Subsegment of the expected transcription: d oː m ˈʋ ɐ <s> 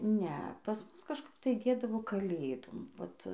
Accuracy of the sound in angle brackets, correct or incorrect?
incorrect